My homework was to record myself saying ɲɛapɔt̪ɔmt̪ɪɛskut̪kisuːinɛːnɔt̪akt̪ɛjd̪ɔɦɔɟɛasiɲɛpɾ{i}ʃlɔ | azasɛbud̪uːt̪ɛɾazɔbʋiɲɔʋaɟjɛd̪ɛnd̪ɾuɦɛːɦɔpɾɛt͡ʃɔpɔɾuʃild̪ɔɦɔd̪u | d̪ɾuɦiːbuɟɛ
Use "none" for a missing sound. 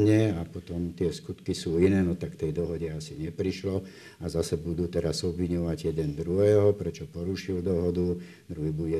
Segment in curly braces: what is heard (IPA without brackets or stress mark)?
i